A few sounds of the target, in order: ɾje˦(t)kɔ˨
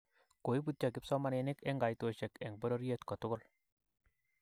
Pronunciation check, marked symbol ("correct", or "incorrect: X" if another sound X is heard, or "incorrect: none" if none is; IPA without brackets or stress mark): correct